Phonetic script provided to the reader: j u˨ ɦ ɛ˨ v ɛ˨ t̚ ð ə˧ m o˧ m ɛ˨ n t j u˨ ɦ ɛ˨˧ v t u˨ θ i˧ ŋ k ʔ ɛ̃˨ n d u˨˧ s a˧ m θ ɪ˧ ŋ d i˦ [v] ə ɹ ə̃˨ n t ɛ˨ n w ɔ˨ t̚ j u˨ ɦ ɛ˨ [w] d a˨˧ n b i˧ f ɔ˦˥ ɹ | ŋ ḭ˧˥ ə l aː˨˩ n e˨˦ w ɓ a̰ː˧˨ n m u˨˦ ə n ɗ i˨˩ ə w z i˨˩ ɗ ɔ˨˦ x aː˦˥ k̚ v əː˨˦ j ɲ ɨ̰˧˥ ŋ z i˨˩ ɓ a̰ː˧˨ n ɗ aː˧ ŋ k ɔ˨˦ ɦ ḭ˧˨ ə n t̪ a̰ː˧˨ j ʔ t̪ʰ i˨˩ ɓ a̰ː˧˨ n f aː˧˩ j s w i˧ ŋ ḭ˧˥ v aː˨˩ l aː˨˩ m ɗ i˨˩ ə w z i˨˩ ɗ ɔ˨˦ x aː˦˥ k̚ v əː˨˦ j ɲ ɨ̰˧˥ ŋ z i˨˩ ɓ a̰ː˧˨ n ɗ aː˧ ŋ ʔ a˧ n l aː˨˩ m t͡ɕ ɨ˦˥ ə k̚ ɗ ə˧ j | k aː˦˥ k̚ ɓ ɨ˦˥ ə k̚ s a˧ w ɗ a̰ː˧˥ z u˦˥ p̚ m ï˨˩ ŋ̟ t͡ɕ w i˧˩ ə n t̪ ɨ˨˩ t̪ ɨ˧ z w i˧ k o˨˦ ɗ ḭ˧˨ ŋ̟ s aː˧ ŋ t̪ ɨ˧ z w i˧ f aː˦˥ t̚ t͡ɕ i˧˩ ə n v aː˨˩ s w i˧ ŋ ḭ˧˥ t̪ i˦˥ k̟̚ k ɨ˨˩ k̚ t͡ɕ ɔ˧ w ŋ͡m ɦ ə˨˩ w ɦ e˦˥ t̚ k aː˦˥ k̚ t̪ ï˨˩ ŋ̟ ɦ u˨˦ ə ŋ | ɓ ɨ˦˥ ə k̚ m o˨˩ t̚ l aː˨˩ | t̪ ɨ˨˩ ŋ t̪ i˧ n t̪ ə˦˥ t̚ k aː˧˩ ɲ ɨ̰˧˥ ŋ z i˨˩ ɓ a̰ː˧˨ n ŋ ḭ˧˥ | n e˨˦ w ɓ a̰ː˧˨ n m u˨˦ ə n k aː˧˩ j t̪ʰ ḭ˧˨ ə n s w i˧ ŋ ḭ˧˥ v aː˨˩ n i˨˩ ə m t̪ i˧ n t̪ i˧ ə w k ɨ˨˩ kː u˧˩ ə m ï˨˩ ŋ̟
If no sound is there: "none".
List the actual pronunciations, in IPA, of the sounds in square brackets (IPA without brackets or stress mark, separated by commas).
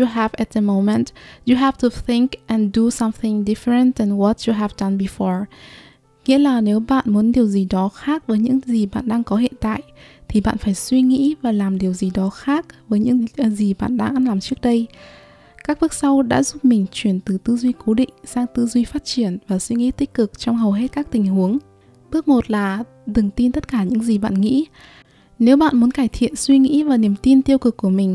f, v